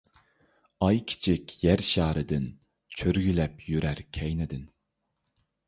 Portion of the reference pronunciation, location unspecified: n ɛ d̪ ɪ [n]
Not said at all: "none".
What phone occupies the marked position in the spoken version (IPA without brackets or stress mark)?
n